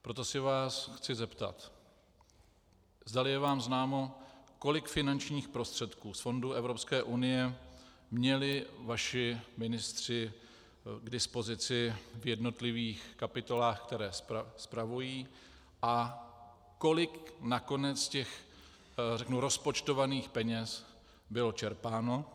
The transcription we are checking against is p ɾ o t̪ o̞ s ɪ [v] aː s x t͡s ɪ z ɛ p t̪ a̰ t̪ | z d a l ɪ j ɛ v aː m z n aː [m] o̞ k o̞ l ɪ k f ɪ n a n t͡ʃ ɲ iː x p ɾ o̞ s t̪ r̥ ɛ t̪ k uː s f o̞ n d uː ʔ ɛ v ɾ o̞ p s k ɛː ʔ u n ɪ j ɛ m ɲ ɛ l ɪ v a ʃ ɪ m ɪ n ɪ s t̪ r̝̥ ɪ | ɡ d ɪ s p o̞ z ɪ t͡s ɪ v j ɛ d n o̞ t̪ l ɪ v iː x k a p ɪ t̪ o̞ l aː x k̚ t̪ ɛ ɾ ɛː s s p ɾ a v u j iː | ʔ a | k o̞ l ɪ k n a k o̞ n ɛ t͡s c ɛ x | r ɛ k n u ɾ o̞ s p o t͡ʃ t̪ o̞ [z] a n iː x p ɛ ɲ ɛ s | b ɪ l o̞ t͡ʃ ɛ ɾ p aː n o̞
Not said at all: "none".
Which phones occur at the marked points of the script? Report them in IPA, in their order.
v, m, v

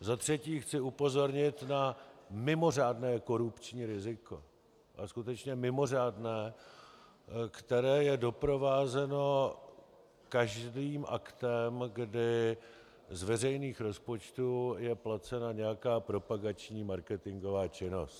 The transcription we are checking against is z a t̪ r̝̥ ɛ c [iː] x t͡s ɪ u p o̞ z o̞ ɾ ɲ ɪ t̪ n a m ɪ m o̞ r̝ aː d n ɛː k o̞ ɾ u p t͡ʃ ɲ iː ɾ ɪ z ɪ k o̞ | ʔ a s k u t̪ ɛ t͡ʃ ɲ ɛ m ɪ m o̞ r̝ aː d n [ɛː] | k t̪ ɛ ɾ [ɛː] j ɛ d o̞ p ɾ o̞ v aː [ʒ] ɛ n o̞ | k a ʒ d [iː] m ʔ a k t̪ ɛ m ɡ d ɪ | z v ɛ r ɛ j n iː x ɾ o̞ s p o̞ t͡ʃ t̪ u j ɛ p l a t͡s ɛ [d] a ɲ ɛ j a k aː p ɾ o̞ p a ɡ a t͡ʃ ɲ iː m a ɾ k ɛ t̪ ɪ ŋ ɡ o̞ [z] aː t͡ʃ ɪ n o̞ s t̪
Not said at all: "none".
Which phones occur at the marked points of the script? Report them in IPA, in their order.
iː, ɛː, ɛː, z, iː, n, v

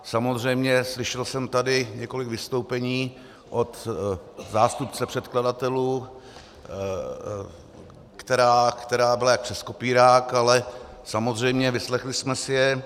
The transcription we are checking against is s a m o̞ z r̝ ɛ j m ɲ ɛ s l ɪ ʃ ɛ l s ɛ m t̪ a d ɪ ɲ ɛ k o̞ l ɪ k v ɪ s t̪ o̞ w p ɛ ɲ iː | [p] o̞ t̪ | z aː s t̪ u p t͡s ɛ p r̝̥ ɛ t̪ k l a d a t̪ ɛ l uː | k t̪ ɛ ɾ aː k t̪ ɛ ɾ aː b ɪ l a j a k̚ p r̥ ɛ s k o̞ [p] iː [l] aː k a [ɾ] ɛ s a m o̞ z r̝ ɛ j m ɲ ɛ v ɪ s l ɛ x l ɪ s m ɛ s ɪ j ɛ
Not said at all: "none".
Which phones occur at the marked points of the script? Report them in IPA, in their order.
ʔ, p, ɾ, l

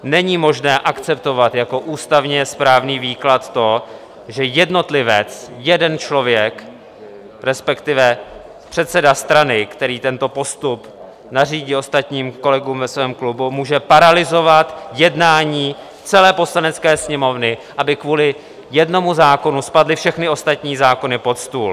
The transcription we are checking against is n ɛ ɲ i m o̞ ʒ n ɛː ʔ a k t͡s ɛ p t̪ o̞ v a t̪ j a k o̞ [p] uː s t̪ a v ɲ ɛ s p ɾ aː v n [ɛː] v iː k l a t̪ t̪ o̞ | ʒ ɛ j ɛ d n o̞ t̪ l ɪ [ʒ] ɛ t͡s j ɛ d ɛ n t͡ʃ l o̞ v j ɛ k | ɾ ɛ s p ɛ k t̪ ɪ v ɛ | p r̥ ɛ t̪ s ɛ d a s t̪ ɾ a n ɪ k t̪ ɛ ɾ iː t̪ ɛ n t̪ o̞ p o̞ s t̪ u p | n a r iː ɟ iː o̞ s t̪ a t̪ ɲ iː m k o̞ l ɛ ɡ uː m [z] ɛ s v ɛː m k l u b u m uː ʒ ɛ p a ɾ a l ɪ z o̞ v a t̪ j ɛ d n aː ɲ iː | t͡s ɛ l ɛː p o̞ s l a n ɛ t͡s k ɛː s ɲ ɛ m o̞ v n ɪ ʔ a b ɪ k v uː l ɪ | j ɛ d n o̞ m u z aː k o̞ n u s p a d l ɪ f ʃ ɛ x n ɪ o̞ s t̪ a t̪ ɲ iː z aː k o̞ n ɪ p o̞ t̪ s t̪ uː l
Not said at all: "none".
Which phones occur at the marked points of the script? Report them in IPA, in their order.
ʔ, iː, v, v

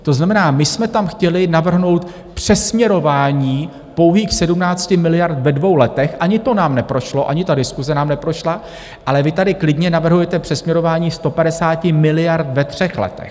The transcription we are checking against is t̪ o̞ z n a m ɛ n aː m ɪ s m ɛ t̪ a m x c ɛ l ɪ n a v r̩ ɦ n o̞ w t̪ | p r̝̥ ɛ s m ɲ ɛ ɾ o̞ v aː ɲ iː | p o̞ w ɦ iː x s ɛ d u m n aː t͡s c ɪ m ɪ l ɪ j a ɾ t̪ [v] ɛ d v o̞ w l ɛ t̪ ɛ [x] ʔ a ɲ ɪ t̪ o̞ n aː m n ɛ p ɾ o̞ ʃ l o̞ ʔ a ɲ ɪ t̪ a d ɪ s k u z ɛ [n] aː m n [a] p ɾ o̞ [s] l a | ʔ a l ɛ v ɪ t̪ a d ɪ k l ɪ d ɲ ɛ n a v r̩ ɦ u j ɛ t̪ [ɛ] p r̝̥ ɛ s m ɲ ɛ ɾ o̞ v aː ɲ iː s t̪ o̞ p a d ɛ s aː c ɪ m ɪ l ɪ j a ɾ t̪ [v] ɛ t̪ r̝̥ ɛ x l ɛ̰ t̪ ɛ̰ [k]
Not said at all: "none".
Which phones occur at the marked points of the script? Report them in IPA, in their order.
v, x, n, ɛ, ʃ, ɛ, v, x

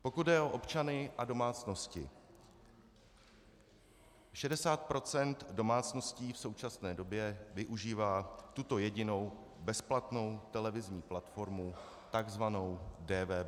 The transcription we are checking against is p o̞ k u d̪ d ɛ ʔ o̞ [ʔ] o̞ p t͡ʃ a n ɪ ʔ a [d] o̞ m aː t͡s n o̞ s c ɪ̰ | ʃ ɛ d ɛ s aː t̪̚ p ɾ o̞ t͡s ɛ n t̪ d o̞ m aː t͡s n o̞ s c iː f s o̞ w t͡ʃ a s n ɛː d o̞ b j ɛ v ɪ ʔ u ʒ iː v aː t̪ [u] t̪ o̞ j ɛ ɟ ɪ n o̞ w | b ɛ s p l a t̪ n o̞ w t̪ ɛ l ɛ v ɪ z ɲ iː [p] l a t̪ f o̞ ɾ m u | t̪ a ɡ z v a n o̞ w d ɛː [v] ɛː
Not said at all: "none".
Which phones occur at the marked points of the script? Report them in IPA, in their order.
ʔ, d, u, p, v

